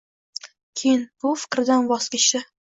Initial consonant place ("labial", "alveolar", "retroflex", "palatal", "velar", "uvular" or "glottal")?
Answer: velar